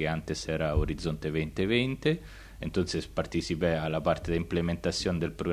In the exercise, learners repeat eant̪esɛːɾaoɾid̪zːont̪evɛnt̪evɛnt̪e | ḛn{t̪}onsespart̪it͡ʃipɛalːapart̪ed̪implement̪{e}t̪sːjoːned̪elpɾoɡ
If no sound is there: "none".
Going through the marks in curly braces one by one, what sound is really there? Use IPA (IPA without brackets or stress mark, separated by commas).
t̪, a